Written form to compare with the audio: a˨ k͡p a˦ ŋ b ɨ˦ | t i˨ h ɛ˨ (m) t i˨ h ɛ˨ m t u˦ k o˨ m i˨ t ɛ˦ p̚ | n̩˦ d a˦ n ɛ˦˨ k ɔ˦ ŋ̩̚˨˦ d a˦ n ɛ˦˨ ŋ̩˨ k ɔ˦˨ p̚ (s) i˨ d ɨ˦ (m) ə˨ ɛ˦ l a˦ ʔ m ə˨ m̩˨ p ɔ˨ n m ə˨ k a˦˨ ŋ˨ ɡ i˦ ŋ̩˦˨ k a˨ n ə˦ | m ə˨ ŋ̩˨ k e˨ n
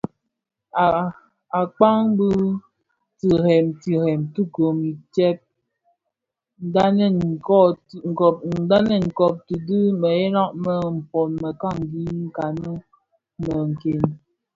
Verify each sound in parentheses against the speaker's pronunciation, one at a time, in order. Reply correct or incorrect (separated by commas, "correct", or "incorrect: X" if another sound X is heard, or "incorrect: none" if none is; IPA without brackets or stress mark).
correct, incorrect: t, correct